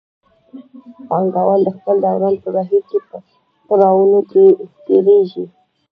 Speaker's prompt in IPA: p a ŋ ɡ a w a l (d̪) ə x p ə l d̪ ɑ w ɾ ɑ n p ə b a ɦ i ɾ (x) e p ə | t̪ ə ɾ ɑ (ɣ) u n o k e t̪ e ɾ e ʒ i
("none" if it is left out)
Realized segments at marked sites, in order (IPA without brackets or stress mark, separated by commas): d̪, k, w